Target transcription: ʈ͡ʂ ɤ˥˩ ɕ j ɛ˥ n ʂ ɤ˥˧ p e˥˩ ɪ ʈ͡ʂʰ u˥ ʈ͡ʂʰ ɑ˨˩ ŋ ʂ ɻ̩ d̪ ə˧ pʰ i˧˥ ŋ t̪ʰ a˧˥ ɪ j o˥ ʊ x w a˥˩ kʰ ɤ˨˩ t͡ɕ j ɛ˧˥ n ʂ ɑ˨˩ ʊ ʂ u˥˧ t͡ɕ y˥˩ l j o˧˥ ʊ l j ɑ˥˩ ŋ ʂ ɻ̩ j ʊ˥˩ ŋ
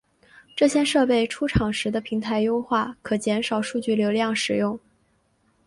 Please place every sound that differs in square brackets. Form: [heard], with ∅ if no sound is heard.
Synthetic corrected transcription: ʈ͡ʂ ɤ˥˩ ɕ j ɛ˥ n ʂ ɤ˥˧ p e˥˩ ɪ ʈ͡ʂʰ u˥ ʈ͡ʂʰ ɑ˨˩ ŋ ʂ ɻ̩ d̪ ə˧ pʰ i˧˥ ŋ t̪ʰ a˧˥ ɪ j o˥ ʊ x w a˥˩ kʰ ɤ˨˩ t͡ɕ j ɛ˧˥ n ʂ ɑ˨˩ ʊ ʂ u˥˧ t͡ɕ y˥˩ l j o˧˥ ʊ l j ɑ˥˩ ŋ ʂ ɻ̩ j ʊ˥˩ ŋ